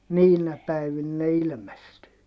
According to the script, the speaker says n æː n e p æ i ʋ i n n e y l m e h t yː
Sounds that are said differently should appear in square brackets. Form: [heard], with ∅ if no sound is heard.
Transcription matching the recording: n [iː] n [æ] p æ i ʋ i n n e [i] l m e [s] t yː